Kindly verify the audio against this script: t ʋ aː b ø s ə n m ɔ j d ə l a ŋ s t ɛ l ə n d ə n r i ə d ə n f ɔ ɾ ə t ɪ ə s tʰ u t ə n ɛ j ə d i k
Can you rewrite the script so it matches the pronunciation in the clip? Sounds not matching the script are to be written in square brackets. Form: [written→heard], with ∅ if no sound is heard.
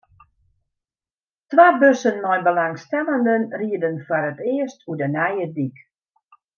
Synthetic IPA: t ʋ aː b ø s ə n m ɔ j [d→b] ə l a ŋ s t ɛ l ə n d ə n r i ə d ə n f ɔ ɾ ə t ɪ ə s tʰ u [t→d] ə n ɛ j ə d i k